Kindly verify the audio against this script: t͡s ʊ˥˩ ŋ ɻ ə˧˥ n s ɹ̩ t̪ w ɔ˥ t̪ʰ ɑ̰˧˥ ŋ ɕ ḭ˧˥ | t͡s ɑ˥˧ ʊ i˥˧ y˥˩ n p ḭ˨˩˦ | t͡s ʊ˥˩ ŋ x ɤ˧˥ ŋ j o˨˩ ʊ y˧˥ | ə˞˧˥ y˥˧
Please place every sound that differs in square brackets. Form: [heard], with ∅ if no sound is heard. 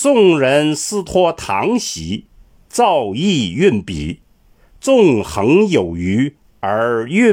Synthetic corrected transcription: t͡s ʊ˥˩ ŋ ɻ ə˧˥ n s ɹ̩ [t̪ʰ] w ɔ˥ t̪ʰ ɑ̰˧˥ ŋ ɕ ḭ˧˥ | t͡s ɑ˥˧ ʊ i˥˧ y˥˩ n p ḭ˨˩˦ | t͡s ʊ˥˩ ŋ x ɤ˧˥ ŋ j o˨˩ ʊ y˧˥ | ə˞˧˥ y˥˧